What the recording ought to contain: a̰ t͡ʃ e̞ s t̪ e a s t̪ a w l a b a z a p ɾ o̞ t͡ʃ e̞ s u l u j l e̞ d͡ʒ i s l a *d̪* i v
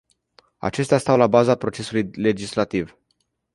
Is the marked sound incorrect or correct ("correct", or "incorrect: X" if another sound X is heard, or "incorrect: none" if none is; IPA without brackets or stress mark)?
incorrect: t̪